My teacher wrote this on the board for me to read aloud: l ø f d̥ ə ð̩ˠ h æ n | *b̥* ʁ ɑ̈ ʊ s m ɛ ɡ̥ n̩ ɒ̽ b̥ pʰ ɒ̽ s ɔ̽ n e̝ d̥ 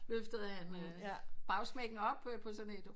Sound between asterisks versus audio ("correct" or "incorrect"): correct